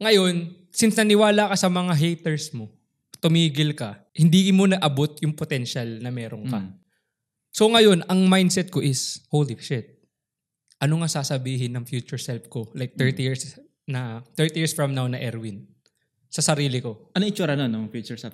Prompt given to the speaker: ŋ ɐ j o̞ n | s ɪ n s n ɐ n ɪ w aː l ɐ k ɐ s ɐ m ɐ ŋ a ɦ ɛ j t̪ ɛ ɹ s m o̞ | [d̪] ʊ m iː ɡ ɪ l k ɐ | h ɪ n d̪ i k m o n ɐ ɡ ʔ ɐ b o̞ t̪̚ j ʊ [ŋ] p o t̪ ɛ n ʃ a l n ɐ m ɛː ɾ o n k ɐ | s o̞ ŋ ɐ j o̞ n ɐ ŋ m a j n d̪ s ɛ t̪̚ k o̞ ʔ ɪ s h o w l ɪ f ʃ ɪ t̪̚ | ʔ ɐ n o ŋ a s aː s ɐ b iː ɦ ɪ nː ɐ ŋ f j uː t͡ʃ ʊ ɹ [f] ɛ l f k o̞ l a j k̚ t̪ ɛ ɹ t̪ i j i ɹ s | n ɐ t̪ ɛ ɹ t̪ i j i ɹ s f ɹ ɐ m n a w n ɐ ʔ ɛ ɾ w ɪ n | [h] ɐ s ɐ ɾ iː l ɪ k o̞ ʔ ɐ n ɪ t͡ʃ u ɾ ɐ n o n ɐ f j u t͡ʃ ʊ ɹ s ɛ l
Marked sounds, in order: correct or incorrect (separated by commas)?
incorrect, correct, incorrect, incorrect